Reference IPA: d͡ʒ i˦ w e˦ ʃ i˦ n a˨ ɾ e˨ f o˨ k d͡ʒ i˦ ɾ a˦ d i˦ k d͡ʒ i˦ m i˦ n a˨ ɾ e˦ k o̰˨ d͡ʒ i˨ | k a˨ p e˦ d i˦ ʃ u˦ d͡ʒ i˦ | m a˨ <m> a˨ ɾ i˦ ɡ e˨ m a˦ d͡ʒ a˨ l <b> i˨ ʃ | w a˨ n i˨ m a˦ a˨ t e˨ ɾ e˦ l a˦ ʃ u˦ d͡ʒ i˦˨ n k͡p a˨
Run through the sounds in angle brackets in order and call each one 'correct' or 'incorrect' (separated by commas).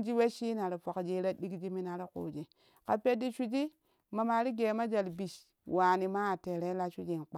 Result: correct, correct